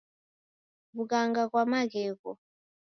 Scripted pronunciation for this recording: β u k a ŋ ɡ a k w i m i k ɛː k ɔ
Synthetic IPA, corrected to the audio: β u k a ŋ ɡ a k w a m a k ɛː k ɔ